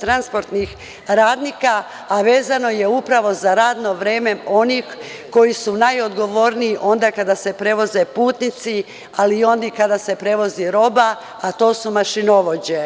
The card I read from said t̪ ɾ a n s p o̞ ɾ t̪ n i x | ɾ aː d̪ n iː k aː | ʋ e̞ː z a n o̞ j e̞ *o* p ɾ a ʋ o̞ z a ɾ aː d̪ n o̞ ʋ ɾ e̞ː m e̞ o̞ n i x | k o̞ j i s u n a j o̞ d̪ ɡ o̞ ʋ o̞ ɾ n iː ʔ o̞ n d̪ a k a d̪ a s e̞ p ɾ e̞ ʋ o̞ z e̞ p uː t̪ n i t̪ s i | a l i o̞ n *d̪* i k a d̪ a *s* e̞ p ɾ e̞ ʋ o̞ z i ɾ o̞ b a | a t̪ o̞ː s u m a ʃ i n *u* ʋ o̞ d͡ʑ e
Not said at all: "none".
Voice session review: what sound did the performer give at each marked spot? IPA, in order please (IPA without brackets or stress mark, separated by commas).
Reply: u, d̪, s, o